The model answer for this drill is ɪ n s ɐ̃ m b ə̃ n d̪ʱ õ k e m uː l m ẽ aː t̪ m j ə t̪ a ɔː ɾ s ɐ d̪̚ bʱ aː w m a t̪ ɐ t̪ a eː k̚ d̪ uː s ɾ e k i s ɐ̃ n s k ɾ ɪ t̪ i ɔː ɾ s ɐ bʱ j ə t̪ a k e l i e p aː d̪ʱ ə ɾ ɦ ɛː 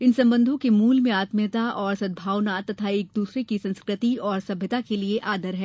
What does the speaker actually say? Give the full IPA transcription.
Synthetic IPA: ɪ n s ɐ̃ m b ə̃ n d̪ʱ õ k e m uː l m ẽ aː t̪ m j ə t̪ a ɔː ɾ s ɐ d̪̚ bʱ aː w n a t̪ ɐ t̪ʰ a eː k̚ d̪ uː s ɾ e k i s ɐ̃ n s k ɾ ɪ t̪ i ɔː ɾ s ɐ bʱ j ə t̪ a k e l i e ʔ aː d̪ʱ ə ɾ ɦ ɛː